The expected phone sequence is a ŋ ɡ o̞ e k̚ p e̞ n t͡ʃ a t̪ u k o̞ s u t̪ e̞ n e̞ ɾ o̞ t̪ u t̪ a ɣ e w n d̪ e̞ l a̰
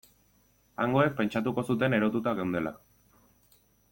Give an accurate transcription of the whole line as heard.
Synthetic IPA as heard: a ŋ ɡ o̞ e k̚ p e̞ n t͡ʃ a t̪ u k o̞ s u t̪ e̞ n e̞ ɾ o̞ t̪ u t̪ a ɣ e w n d̪ e̞ l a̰